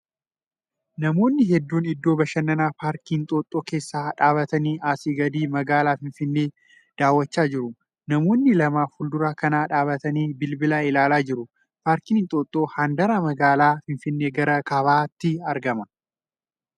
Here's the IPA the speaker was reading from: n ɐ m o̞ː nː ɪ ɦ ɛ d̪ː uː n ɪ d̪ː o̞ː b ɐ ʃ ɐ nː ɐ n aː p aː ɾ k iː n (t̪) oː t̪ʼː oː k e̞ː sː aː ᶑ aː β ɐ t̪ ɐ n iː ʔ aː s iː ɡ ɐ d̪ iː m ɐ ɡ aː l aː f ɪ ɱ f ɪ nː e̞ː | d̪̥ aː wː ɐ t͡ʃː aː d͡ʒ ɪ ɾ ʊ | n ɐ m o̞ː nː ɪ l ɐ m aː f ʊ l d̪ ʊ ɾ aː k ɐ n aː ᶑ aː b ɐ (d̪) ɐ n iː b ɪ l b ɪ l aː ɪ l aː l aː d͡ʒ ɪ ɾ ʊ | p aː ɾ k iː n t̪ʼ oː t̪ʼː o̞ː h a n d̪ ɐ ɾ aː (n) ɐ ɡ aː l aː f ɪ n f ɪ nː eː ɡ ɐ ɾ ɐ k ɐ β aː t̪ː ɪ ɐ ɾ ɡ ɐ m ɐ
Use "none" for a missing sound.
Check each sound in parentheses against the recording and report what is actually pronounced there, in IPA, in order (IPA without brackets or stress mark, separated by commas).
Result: t̪ʼ, t̪, m